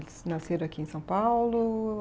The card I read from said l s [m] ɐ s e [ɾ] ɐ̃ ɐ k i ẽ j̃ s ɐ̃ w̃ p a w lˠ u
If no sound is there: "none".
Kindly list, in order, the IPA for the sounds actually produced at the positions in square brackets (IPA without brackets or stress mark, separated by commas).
n, ɾ